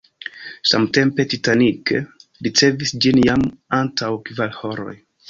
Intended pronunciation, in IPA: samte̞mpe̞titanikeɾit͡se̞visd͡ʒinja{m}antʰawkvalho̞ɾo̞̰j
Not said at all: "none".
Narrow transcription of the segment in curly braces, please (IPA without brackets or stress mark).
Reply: m